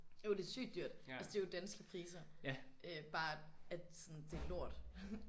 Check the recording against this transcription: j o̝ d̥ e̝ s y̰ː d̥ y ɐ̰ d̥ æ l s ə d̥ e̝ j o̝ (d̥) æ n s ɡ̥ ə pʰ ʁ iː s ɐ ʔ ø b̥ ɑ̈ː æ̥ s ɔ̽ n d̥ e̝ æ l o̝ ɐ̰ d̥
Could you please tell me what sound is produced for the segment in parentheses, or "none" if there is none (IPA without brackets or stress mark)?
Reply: d̥